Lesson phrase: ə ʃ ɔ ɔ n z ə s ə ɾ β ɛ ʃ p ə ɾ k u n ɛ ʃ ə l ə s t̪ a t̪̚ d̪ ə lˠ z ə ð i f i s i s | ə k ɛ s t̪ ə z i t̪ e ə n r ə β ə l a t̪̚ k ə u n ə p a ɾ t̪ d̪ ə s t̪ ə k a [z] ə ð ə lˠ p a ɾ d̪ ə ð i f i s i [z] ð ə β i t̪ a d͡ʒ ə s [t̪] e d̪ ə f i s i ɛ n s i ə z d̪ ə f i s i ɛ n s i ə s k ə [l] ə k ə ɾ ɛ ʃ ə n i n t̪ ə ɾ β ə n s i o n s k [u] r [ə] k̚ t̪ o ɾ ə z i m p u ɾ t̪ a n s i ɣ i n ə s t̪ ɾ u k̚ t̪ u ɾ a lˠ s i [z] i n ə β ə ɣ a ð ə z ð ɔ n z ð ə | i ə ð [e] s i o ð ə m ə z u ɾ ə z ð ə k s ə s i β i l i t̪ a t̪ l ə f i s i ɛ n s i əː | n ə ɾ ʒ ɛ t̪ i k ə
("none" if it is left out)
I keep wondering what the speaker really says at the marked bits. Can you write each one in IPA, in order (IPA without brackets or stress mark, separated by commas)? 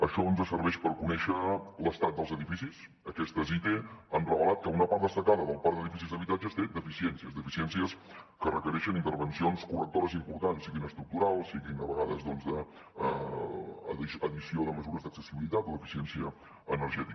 ð, z, t̪, r, u, ə, ɣ, i